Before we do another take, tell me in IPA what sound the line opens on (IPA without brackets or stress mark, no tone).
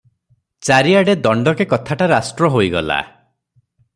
t͡ʃ